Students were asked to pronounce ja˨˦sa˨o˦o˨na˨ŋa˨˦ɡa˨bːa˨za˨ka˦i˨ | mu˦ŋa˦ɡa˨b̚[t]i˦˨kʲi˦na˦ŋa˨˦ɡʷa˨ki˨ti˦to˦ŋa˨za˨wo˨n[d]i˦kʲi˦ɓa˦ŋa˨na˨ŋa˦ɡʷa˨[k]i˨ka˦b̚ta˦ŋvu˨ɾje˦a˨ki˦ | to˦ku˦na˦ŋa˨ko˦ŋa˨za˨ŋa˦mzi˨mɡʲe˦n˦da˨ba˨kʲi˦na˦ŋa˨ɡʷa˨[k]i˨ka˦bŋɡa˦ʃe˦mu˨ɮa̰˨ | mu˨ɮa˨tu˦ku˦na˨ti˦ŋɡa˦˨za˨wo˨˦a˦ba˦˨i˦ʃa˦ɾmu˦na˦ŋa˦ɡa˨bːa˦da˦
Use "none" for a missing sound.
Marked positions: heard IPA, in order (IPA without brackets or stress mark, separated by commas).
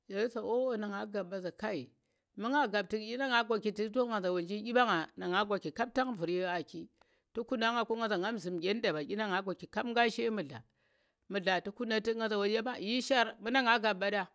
t, d͡ʒ, k, k